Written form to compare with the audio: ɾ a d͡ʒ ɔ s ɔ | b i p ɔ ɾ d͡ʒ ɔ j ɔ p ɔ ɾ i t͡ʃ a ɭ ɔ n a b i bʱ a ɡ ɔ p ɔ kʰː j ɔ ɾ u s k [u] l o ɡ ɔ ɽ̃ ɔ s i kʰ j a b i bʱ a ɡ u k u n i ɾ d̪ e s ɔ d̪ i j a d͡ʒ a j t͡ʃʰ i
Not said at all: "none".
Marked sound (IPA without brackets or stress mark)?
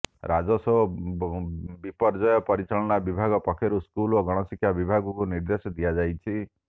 u